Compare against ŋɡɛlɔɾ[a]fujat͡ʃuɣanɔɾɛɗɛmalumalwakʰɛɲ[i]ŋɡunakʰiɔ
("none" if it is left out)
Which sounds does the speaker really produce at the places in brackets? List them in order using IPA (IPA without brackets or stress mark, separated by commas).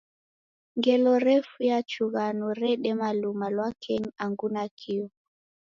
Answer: ɛ, a